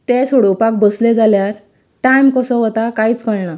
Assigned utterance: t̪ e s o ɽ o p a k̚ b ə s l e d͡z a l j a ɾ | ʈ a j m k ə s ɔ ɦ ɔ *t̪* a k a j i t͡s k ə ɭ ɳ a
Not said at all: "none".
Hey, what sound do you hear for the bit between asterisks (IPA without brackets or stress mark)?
t̪